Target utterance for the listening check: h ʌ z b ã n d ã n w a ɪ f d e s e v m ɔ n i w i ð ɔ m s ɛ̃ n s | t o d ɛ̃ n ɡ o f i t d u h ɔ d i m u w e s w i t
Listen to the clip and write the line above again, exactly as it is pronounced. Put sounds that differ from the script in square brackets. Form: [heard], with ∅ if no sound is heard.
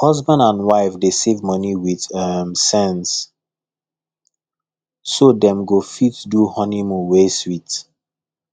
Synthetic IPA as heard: h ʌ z b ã n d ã n w a ɪ f d e s e v m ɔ n i w i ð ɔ m s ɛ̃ n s | [s] o d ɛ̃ [m] ɡ o f i t d u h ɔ [n] i m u w e s w i t